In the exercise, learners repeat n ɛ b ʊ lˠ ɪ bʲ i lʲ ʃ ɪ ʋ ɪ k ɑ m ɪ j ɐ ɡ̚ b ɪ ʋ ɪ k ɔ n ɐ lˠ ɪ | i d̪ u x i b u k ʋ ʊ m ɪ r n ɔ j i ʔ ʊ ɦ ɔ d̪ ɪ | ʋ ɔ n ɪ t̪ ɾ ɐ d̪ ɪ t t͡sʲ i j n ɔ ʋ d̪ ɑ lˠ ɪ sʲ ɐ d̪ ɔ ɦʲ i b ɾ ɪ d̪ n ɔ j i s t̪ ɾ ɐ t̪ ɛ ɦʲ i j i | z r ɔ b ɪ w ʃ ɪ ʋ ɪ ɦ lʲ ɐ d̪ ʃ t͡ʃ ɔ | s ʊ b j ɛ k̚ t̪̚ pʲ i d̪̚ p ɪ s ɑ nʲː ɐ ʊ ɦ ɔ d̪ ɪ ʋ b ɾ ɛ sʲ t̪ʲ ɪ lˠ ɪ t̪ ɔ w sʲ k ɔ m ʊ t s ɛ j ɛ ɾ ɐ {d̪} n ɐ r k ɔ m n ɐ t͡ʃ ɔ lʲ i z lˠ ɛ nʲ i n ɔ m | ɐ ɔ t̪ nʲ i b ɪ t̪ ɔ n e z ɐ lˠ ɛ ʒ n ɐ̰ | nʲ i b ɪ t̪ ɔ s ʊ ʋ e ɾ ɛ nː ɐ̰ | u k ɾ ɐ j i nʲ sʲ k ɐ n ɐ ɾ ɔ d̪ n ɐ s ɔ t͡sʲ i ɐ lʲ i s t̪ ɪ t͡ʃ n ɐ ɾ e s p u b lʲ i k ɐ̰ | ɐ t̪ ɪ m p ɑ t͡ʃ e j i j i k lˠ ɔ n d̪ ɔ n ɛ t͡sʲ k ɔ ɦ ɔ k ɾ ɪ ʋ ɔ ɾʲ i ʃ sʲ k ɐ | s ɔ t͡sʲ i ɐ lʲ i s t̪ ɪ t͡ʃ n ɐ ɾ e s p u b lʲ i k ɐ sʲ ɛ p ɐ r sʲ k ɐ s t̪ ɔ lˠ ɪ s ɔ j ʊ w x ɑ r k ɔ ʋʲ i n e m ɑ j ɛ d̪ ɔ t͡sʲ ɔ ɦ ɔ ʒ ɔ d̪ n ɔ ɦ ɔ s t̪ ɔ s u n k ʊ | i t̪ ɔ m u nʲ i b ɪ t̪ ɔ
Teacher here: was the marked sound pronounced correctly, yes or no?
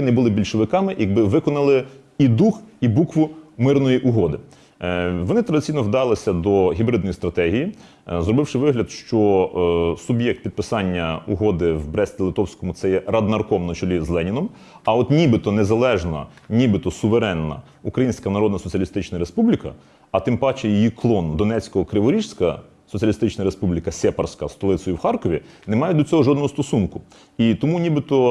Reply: yes